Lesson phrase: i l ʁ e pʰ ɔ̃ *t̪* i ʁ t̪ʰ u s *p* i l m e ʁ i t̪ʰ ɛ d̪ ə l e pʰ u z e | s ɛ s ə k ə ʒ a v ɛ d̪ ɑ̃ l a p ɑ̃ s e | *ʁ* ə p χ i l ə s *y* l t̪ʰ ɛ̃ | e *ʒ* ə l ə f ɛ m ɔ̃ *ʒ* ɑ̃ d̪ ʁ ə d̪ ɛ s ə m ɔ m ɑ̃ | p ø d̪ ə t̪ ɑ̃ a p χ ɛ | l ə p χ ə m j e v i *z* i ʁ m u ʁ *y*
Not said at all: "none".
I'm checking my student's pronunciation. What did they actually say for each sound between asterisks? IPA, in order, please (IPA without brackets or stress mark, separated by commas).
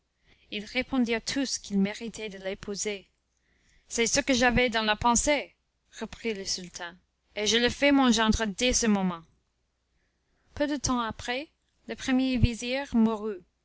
d̪, k, ʁ, y, ʒ, ʒ, z, y